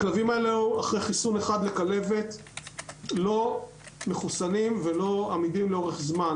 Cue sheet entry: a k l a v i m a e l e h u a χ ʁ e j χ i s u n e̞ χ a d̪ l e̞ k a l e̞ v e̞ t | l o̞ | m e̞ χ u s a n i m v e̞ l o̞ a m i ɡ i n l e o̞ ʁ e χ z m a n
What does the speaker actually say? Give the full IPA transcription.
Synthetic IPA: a k l a v i m a e l e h u a χ ʁ e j χ i s u n e̞ χ a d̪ l e̞ k a l e̞ v e̞ t | l o̞ | m e̞ χ u s a n i m v e̞ l o̞ a m i d i m l e o̞ ʁ e χ z m a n